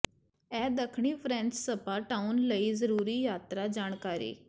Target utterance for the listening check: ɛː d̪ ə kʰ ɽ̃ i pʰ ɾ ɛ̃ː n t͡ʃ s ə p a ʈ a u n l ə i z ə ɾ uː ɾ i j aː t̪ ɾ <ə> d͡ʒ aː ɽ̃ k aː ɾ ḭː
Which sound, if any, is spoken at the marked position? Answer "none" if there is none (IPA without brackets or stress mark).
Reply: a